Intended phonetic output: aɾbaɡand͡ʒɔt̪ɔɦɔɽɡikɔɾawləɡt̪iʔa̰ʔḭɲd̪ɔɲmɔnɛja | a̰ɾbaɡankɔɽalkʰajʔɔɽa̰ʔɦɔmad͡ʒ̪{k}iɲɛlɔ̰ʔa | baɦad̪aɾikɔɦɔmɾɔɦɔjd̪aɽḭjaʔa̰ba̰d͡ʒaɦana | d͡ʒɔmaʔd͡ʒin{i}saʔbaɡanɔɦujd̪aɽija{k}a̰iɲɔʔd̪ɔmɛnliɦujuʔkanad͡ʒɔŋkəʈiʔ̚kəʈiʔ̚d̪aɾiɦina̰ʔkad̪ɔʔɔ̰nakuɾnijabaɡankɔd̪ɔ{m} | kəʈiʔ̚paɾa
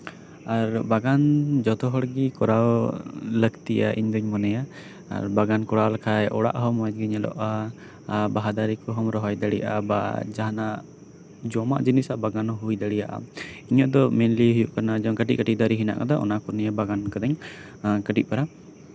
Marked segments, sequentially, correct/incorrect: incorrect: ɡ, correct, incorrect: ʔ, incorrect: ɲ

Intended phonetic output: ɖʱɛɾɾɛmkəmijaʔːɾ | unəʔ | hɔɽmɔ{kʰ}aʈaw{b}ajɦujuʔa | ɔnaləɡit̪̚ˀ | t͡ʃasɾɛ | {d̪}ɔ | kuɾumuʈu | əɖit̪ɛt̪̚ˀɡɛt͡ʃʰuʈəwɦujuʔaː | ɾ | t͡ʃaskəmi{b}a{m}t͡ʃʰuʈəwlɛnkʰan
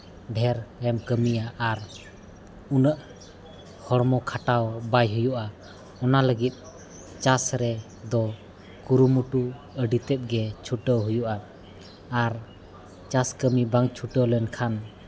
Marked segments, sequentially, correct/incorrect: correct, correct, correct, correct, incorrect: ŋ

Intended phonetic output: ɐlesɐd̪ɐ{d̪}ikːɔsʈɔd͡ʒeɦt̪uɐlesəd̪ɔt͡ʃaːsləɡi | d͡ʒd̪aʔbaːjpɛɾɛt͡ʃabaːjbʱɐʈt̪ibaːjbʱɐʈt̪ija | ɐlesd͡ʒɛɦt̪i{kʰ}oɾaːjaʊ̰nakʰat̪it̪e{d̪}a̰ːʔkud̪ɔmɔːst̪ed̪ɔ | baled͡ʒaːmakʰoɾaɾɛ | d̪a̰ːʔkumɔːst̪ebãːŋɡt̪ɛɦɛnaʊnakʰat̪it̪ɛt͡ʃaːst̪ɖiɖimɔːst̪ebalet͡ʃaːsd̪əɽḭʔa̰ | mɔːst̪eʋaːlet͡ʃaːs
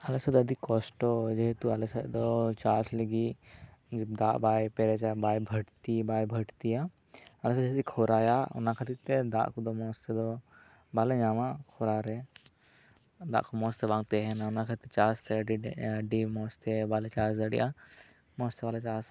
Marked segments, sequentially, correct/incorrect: correct, correct, correct

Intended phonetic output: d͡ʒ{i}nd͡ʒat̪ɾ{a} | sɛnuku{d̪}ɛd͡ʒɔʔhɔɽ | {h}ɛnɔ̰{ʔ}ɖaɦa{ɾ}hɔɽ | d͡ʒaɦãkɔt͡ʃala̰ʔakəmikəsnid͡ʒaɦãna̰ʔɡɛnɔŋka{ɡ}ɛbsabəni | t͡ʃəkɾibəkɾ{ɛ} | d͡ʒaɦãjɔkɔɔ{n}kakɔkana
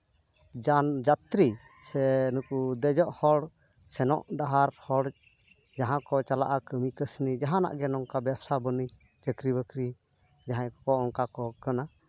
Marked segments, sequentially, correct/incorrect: incorrect: a, incorrect: i, correct, incorrect: s, correct, correct, incorrect: b, incorrect: i, incorrect: ŋ

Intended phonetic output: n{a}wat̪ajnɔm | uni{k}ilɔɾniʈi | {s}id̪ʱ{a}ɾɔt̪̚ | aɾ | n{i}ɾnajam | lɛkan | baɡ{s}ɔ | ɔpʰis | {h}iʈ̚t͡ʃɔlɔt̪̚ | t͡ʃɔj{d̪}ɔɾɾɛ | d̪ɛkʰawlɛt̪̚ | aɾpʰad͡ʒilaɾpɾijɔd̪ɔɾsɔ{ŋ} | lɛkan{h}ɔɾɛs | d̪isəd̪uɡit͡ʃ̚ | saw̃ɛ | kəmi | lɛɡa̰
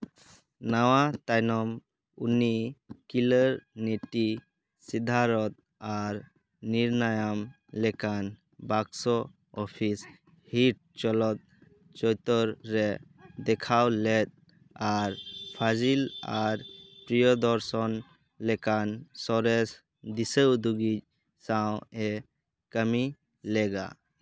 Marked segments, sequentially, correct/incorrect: correct, correct, correct, correct, correct, correct, correct, incorrect: t̪, incorrect: n, incorrect: s

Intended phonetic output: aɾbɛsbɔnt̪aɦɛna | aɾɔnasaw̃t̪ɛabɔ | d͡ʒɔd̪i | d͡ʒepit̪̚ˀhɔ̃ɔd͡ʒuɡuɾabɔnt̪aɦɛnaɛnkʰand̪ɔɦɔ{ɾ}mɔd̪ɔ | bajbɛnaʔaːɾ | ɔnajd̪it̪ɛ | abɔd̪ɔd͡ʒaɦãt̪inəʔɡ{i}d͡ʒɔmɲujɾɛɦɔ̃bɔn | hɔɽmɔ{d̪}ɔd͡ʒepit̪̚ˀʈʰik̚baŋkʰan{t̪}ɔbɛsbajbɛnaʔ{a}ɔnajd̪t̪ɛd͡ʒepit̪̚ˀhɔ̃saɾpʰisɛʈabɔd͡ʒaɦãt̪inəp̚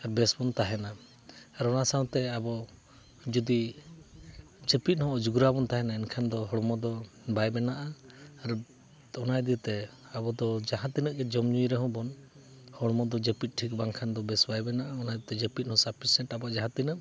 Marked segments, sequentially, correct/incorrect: incorrect: ɽ, incorrect: ɛ, correct, incorrect: d̪, correct

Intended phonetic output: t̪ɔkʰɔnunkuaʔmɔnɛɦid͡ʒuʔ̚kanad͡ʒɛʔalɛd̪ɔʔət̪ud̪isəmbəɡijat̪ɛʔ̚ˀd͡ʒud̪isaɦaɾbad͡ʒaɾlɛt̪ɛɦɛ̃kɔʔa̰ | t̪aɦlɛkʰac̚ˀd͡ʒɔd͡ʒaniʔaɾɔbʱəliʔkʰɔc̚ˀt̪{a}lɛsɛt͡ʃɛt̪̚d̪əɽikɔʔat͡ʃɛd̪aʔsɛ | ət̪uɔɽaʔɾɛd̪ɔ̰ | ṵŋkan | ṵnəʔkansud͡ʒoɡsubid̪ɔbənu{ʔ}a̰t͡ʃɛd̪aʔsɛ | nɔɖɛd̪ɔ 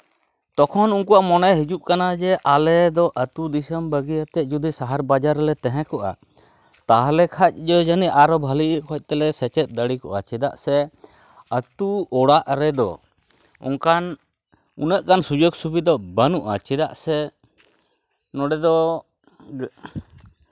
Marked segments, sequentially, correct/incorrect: incorrect: ɛ, correct

